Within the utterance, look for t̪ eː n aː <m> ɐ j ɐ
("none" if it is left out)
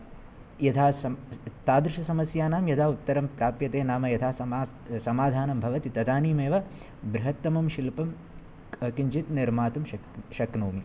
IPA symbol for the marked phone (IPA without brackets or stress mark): m